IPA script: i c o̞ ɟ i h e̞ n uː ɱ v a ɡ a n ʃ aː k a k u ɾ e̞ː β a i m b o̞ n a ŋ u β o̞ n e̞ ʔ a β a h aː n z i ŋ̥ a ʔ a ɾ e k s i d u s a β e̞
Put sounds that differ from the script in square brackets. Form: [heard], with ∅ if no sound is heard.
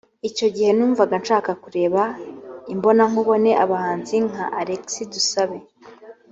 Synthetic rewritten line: i c o̞ ɟ i h e̞ n uː ɱ v a ɡ a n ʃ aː k a k u ɾ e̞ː β a i m b o̞ n a ŋ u β o̞ n e̞ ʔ a β a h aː n z i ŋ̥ a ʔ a ɾ e k s i d u s a β e̞